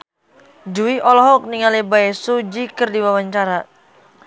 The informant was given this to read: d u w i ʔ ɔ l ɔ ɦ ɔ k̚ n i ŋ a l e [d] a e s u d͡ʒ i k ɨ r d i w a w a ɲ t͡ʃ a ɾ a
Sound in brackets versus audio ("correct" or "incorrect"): incorrect